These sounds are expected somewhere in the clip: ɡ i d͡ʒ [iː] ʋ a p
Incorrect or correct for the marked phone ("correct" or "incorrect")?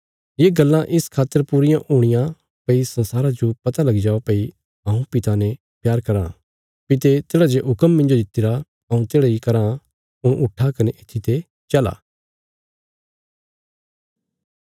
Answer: incorrect